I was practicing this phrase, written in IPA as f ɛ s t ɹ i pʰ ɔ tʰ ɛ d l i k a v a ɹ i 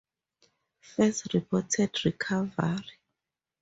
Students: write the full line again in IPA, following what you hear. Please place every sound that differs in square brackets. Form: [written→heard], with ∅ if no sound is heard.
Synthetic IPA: f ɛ s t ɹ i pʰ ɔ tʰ ɛ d [l→ɹ] i [k→kʰ] a v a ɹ i